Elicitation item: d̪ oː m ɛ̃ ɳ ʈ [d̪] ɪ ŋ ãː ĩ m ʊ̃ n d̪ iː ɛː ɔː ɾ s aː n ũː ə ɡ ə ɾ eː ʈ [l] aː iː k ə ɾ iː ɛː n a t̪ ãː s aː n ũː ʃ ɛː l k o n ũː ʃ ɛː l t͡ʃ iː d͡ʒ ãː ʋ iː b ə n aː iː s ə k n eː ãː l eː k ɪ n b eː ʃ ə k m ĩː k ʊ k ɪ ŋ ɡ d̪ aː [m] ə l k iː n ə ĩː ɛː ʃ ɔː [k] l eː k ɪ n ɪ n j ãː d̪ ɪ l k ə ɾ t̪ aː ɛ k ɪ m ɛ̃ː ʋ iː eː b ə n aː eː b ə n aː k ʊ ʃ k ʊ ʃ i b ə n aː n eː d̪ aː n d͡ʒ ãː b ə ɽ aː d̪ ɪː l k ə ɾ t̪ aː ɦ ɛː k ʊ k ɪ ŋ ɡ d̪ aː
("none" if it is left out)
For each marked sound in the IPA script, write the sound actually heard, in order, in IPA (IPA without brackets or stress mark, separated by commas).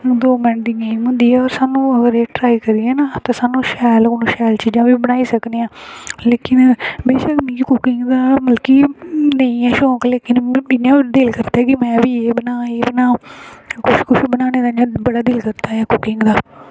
d̪, ɾ, m, k